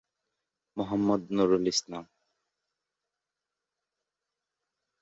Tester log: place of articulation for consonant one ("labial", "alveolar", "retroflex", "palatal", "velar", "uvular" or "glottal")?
labial